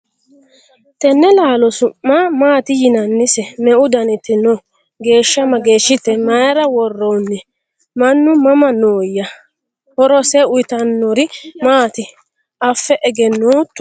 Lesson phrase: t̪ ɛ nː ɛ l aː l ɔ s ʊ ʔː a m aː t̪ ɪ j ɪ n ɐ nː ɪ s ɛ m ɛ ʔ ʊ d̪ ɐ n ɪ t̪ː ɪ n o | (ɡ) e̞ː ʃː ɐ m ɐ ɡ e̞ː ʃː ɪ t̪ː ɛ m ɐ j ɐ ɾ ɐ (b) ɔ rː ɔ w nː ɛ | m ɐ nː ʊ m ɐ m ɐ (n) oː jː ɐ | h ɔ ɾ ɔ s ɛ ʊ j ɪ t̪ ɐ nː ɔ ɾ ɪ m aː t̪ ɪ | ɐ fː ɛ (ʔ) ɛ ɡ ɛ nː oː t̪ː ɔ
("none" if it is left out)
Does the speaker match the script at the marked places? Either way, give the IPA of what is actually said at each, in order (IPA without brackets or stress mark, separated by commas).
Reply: ɡ, w, n, ʔ